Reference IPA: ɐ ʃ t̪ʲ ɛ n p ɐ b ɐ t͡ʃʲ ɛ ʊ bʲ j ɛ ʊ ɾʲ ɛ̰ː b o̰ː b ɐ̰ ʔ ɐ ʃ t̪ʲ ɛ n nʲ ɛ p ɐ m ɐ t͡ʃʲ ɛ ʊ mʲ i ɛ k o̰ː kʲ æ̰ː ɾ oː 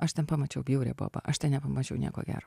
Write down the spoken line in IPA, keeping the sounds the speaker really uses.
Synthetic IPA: ɐ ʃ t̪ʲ ɛ n p ɐ m ɐ t͡ʃʲ ɛ ʊ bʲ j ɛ ʊ ɾʲ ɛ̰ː b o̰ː b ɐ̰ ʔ ɐ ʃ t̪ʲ ɛ n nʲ ɛ p ɐ m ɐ t͡ʃʲ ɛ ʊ nʲ i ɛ k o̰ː ɡʲ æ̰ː ɾ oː